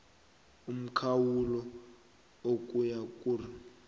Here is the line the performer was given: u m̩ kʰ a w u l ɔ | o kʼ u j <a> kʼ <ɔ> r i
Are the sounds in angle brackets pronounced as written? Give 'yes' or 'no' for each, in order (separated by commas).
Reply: yes, no